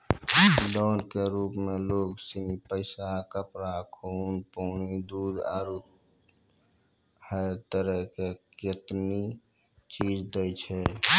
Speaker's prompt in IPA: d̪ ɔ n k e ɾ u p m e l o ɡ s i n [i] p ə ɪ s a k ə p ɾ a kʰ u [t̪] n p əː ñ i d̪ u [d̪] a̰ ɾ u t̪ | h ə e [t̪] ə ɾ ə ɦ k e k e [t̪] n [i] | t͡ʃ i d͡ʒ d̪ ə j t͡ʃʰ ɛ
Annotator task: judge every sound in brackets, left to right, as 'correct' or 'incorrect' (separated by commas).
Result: correct, incorrect, correct, correct, correct, correct